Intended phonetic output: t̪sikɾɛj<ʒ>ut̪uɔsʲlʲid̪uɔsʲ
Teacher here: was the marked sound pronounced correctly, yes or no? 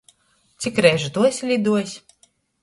yes